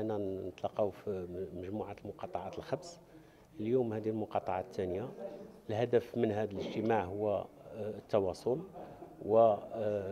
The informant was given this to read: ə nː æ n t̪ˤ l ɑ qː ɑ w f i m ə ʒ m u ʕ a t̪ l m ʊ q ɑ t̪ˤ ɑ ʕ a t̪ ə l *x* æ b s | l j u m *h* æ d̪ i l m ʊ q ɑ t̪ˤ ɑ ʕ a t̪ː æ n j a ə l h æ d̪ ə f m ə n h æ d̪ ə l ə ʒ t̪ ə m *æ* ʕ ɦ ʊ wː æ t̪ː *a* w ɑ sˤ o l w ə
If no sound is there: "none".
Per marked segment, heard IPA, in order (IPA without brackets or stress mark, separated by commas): x, h, a, ɑ